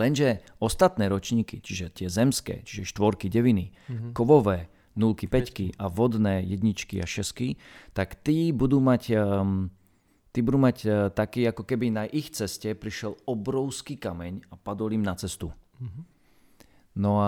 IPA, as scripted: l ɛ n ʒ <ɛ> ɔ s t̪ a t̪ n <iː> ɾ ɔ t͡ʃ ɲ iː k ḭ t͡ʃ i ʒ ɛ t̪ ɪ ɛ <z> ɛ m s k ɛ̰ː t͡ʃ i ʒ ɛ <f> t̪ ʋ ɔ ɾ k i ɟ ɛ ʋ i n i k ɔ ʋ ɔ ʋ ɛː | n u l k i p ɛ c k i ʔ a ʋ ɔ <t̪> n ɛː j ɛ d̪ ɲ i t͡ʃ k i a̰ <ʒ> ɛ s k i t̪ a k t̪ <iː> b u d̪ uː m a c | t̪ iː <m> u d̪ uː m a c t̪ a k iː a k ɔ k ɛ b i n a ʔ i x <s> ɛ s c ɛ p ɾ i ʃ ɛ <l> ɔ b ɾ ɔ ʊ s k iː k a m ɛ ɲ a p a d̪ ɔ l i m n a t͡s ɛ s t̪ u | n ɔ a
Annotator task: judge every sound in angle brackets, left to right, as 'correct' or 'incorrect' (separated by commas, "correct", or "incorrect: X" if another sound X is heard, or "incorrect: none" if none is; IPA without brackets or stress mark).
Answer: correct, incorrect: ɛː, correct, incorrect: ʃ, incorrect: d̪, incorrect: ʃ, correct, incorrect: b, incorrect: t͡s, correct